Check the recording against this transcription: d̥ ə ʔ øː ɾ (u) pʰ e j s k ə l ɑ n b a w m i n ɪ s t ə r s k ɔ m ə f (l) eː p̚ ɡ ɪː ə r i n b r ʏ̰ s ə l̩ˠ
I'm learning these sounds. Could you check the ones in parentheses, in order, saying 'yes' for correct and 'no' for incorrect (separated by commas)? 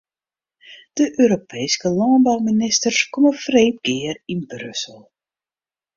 no, no